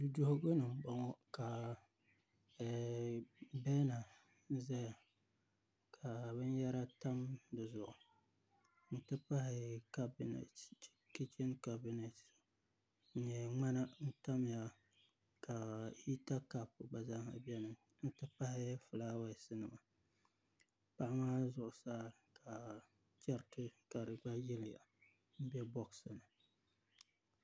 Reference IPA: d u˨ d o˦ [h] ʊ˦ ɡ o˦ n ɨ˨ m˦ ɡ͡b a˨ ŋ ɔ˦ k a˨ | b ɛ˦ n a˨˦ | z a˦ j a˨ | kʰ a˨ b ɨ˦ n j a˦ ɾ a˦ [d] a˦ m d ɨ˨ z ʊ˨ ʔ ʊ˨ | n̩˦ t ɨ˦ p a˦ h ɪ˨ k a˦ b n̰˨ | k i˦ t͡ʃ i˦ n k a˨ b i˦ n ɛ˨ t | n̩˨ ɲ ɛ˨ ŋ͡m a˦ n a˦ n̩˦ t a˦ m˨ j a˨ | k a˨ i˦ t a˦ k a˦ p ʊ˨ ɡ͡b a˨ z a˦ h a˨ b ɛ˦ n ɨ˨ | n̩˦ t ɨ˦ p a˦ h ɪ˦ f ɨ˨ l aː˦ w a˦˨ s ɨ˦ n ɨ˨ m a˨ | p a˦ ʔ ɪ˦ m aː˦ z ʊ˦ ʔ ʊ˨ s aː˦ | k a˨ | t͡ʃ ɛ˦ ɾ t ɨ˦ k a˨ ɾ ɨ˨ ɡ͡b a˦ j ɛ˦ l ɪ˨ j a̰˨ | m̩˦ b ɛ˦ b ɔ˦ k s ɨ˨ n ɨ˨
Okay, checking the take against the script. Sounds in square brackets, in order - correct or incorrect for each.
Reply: correct, incorrect: t

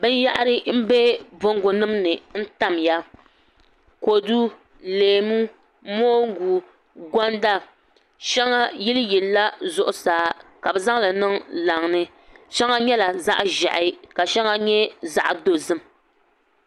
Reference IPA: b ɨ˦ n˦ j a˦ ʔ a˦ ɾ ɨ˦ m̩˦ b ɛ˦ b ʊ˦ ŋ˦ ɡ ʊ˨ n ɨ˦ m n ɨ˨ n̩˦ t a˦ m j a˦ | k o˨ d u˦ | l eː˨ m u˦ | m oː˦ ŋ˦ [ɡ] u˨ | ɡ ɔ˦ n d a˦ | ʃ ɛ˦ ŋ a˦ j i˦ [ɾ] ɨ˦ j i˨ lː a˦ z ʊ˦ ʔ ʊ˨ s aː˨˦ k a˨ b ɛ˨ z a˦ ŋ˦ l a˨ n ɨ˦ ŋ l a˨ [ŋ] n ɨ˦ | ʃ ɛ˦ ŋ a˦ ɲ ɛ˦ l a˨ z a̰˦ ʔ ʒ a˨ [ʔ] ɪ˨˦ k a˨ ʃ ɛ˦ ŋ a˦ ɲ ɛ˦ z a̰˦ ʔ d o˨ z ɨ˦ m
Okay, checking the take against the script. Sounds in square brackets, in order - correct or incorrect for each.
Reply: correct, incorrect: l, correct, correct

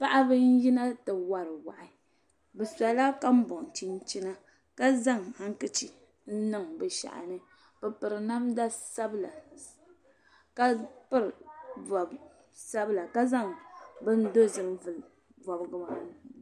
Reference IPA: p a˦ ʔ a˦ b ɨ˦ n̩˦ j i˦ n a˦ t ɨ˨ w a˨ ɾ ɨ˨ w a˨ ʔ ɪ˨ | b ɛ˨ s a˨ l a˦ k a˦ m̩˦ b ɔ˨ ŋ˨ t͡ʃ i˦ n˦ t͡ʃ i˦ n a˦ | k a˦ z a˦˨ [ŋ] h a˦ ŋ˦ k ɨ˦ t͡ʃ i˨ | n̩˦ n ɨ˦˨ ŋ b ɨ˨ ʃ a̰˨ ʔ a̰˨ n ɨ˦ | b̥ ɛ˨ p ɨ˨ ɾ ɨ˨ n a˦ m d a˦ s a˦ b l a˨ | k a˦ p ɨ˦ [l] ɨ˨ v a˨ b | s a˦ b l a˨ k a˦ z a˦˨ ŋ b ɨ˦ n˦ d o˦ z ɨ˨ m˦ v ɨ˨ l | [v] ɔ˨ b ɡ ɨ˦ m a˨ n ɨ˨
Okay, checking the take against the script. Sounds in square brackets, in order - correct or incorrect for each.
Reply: correct, incorrect: ɾ, correct

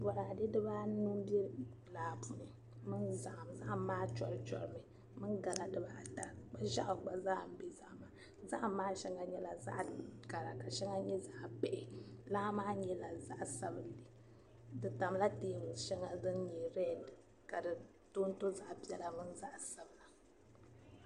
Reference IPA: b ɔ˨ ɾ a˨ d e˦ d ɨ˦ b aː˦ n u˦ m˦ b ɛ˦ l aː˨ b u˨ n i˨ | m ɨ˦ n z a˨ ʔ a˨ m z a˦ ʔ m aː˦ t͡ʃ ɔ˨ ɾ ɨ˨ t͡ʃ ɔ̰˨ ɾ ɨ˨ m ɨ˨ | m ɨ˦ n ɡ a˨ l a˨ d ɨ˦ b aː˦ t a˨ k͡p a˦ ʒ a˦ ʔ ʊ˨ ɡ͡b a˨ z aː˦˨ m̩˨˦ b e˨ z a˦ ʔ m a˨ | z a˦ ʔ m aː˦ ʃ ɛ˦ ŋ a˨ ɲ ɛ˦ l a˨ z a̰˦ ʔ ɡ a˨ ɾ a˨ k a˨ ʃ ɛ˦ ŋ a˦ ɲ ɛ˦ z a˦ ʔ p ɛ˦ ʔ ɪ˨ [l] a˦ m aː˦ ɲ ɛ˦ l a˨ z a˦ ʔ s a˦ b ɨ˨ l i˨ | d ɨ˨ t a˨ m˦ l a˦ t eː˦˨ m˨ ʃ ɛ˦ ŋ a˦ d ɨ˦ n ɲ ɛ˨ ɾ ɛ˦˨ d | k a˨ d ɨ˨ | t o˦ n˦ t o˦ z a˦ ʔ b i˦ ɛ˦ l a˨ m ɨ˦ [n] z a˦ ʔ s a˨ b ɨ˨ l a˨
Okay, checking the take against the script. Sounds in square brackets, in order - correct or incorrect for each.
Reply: correct, correct

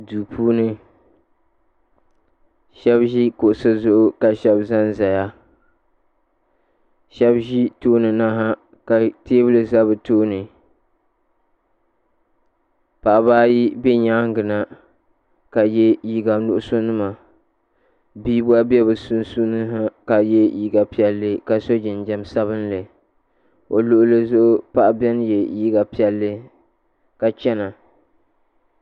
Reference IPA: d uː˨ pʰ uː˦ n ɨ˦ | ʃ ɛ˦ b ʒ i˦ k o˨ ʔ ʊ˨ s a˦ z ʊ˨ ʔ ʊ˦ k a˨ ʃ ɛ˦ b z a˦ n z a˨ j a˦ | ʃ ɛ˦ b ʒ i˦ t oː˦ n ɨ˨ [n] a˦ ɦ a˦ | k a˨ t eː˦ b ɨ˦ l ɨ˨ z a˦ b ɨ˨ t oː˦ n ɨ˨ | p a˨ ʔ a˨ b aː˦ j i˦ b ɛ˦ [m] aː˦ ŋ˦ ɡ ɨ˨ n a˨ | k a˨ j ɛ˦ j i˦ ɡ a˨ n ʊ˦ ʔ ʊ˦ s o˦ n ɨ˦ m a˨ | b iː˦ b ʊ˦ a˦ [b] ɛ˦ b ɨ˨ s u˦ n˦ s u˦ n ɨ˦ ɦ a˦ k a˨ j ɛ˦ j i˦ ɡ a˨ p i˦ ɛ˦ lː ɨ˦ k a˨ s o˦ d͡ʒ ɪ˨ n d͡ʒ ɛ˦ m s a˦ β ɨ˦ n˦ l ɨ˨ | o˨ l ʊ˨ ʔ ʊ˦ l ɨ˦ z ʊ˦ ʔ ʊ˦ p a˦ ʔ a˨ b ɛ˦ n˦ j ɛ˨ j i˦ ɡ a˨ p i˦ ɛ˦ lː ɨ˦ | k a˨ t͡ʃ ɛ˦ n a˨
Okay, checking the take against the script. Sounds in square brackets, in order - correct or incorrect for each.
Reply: correct, incorrect: ɲ, correct

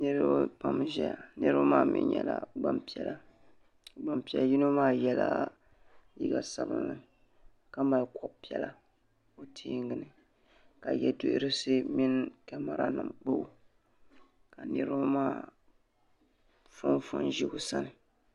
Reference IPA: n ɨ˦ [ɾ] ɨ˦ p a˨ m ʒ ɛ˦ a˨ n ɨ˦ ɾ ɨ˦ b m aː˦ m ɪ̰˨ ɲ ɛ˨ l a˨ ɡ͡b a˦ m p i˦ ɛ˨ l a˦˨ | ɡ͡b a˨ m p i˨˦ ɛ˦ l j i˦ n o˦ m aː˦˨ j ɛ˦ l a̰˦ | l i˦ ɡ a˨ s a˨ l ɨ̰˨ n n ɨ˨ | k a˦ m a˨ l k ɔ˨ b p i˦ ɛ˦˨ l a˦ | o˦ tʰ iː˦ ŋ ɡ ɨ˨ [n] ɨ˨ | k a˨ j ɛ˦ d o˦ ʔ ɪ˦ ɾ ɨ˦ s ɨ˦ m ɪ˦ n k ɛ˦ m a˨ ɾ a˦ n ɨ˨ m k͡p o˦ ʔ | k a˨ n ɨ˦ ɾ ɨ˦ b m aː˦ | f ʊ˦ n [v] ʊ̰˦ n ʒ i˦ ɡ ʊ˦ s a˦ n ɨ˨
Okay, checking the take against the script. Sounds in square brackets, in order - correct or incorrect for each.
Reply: correct, correct, incorrect: f

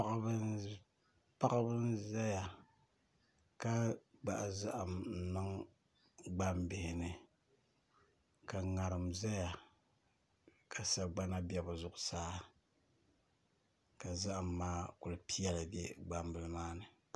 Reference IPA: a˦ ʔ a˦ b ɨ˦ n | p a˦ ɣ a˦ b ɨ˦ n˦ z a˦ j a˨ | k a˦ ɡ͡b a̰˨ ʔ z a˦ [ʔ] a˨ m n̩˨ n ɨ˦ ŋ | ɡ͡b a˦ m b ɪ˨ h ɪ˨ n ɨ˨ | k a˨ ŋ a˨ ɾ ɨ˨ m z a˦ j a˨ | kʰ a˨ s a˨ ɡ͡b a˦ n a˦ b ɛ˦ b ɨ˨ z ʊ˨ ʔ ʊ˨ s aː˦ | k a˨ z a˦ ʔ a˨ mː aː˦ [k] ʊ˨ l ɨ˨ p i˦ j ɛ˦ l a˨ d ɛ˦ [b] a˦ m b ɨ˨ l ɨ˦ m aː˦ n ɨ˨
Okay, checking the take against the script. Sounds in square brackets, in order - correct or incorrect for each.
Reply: correct, correct, incorrect: ɡ͡b

